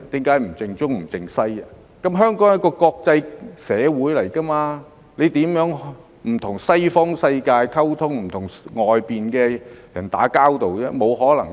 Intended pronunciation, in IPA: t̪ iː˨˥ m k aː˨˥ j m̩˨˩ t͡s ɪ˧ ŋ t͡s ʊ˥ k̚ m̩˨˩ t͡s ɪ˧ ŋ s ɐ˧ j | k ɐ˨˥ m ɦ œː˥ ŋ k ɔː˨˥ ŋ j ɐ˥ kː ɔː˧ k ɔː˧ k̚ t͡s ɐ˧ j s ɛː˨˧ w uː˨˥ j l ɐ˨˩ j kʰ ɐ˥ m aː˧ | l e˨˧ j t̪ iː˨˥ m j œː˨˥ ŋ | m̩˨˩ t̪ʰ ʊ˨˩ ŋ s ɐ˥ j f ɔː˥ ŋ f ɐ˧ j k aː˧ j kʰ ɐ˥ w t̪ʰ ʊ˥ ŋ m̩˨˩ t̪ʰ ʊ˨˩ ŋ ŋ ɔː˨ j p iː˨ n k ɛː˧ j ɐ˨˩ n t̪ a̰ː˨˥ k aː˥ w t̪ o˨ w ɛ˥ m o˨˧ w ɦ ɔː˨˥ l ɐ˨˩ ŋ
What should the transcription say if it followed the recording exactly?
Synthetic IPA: t̪ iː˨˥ m k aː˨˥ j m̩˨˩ t͡s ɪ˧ ŋ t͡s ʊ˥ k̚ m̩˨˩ t͡s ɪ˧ ŋ s ɐ˥ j | k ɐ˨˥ m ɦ œː˥ ŋ k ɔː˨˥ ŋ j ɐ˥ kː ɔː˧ k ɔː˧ k̚ t͡s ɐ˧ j s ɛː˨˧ w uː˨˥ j l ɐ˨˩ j k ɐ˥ m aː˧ | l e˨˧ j t̪ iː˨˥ m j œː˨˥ ŋ | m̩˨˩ t̪ʰ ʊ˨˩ ŋ s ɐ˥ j f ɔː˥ ŋ s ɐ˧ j k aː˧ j kʰ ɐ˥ w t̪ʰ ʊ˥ ŋ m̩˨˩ t̪ʰ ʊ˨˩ ŋ ŋ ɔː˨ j p iː˨ n k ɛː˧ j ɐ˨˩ n t̪ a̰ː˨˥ k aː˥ w t̪ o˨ w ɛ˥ m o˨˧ w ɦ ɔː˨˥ l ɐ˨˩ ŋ